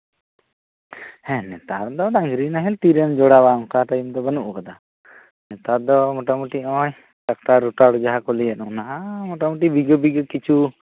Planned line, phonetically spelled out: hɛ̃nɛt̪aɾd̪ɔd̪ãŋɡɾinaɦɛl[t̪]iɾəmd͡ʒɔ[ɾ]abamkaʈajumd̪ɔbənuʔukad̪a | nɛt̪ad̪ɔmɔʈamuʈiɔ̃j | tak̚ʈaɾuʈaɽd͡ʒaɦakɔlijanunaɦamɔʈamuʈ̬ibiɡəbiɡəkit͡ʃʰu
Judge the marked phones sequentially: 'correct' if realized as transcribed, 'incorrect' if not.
correct, incorrect: ɽ

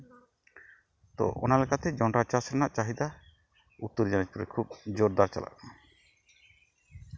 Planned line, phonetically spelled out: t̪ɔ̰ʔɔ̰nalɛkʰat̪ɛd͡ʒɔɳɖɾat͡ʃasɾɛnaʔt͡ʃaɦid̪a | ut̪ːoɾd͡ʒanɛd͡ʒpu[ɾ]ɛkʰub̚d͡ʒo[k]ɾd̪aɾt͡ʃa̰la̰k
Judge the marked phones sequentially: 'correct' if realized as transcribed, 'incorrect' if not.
correct, incorrect: none

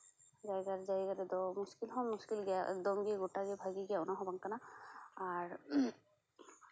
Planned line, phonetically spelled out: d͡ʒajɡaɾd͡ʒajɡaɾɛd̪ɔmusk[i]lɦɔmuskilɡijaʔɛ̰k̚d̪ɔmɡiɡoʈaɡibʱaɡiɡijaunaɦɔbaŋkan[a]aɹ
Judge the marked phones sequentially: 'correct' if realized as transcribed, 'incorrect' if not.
correct, correct

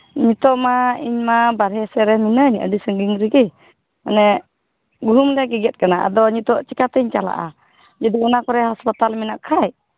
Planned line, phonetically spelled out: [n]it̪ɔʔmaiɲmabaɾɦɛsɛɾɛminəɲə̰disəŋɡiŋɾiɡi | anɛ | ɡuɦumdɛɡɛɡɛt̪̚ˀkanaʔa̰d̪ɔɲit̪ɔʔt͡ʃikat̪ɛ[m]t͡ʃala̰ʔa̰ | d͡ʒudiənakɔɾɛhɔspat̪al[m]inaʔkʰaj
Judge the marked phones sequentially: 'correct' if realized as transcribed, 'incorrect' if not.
incorrect: ɲ, incorrect: ɲ, correct

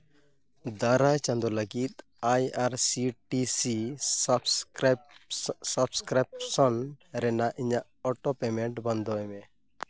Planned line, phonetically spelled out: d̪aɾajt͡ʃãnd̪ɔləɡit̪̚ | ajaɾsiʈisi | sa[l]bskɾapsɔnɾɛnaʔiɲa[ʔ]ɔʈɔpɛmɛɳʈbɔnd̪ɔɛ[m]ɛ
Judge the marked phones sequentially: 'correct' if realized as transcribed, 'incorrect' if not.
incorrect: none, correct, correct

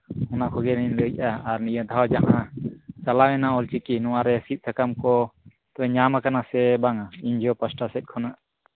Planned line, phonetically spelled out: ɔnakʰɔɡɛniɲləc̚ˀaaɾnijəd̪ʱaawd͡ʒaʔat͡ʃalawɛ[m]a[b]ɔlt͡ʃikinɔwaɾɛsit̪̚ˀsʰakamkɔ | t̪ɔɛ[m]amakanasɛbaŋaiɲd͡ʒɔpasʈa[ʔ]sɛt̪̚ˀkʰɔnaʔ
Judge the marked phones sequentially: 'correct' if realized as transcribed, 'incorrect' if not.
incorrect: n, incorrect: none, incorrect: ɲ, incorrect: none

